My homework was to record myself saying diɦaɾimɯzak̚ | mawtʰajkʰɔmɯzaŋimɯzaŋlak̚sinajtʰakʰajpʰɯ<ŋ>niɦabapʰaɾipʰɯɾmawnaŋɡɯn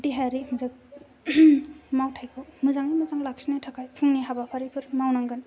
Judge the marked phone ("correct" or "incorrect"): correct